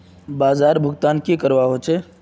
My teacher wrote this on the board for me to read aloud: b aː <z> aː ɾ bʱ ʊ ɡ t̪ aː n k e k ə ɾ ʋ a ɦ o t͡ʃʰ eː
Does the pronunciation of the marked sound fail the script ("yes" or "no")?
no